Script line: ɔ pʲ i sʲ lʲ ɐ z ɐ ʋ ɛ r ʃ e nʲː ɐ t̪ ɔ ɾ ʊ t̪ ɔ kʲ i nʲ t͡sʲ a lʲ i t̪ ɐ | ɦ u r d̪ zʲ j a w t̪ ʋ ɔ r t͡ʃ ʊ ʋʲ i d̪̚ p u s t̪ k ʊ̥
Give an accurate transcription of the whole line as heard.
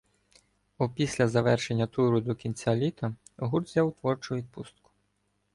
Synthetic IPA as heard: ɔ pʲ i sʲ lʲ ɐ z ɐ ʋ ɛ r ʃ e nʲː ɐ t̪ u ɾ ʊ d̪ ɔ kʲ i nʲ t͡sʲ a lʲ i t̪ ɐ | ɦ u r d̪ zʲ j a w t̪ ʋ ɔ r t͡ʃ ʊ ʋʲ i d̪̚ p u s t̪ k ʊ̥